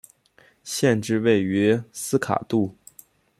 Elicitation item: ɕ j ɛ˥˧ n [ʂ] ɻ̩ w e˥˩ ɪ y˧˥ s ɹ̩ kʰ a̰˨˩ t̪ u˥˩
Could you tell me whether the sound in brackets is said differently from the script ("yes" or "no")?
yes